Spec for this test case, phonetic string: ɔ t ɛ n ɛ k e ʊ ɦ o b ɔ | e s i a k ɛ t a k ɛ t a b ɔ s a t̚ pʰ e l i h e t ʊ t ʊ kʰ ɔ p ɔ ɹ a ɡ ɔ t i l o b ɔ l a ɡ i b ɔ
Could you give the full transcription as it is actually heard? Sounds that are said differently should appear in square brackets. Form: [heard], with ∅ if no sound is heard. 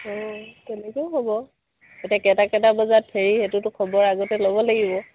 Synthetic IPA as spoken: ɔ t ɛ n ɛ k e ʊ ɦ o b ɔ | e [t] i a k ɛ t a k ɛ t a b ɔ [z] a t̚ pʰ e [ɹ] i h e t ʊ t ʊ kʰ ɔ [b] ɔ ɹ a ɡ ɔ t [ɛ] l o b ɔ l a ɡ i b ɔ